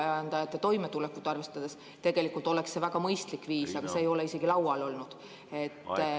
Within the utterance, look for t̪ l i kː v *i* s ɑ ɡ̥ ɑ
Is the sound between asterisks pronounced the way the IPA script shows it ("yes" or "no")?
no